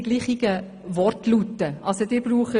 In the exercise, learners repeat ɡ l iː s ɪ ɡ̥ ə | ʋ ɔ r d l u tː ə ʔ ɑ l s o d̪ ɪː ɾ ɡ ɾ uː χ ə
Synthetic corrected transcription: ɡ l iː χ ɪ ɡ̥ ə | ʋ ɔ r t l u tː ə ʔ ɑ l s o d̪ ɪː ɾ b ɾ uː χ ə